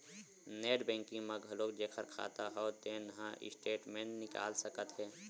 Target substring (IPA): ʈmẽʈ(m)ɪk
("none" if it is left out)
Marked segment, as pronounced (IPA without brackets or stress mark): n